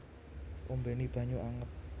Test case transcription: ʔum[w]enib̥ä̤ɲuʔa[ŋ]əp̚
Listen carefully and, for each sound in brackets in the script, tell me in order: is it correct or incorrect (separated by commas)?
incorrect, correct